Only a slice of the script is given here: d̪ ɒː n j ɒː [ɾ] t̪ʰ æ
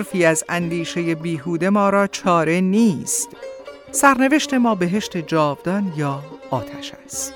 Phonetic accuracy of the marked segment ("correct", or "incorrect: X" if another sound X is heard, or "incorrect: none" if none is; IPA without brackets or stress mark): incorrect: none